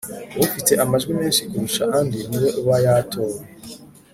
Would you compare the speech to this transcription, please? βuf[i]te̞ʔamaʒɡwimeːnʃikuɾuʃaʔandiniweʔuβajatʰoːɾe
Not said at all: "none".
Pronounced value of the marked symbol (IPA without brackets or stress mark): i